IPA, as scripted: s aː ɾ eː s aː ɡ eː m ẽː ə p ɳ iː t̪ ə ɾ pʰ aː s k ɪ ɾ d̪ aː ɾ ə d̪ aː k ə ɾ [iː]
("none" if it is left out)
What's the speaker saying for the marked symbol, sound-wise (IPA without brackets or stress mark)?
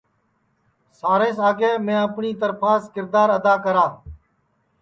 aː